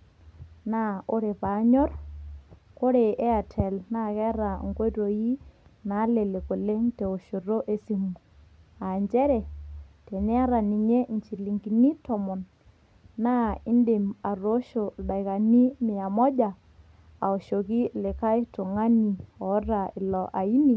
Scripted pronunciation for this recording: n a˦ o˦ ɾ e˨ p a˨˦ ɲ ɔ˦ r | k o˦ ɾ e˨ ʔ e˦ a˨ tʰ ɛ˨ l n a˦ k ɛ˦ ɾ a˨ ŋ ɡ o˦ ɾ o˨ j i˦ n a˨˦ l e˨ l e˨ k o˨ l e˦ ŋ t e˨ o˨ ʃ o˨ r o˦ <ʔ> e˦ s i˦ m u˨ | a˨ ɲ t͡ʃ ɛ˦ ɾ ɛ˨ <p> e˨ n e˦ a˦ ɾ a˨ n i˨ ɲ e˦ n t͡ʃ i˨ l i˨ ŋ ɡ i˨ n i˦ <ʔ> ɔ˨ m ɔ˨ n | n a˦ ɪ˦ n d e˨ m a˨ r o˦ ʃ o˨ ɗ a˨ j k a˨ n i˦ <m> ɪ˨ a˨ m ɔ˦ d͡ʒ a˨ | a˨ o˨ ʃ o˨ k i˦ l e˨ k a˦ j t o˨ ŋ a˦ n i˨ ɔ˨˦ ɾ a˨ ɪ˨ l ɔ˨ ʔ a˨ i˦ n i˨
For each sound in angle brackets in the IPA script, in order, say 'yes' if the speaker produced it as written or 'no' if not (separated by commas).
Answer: yes, no, no, yes